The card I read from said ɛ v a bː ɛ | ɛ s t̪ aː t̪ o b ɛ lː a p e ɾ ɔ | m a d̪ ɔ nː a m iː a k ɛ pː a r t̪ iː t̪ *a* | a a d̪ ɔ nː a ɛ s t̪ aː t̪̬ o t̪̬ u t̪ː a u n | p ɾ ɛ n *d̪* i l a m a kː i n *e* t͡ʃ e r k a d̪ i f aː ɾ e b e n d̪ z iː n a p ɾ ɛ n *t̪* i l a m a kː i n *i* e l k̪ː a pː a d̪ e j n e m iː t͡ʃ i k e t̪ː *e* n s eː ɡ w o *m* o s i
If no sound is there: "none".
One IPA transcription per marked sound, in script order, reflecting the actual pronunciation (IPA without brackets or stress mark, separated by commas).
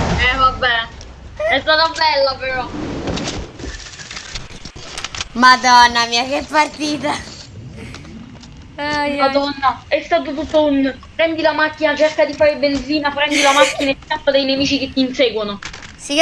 a, d̪, a, d̪, a, i, n